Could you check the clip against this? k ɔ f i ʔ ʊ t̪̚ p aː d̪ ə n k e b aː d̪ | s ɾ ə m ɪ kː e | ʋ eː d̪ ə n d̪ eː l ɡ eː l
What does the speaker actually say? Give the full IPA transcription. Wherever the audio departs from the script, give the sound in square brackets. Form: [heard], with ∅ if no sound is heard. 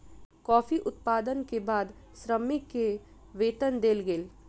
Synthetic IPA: k [ɔː] f i ʔ ʊ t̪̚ p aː d̪ ə n k e b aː d̪ | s ɾ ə m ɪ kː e | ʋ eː [t̪] ə n d̪ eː l ɡ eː l